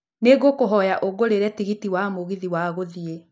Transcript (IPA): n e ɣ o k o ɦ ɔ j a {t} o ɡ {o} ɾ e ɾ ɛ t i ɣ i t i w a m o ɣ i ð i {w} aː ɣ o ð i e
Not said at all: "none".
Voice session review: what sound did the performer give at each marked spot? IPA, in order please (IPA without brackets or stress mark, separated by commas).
ʔ, o, w